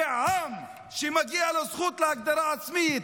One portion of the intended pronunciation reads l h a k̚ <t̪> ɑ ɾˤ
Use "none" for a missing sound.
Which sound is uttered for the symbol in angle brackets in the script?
d̪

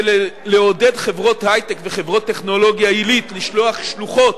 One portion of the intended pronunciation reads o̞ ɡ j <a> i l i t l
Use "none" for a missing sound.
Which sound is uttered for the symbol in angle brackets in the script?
a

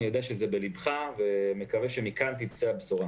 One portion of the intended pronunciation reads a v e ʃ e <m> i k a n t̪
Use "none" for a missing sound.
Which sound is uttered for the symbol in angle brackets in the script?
m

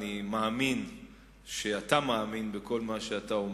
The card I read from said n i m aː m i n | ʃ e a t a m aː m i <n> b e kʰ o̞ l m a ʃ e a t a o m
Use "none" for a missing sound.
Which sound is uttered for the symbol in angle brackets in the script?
n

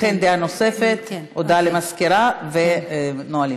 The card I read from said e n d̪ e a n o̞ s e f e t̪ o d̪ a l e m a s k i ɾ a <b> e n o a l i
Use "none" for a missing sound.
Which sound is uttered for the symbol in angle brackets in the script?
v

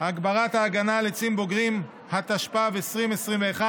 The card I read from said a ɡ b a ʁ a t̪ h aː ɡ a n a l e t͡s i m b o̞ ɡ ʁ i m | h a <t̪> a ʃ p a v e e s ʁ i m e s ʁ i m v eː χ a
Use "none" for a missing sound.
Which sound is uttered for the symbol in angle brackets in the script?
t̪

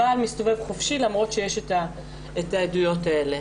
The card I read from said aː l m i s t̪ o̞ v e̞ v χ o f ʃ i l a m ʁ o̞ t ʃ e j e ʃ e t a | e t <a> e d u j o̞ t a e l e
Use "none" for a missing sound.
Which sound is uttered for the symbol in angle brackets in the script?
a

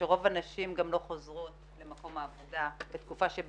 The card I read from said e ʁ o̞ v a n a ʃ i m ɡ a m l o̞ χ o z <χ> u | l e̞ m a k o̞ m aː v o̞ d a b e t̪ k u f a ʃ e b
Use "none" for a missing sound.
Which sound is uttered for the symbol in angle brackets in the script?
ʁ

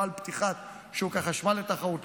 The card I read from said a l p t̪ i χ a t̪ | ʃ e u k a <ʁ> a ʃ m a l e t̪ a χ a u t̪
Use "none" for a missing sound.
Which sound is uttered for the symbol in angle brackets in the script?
χ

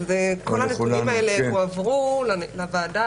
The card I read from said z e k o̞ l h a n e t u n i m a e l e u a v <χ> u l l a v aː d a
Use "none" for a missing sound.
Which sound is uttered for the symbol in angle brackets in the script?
ʁ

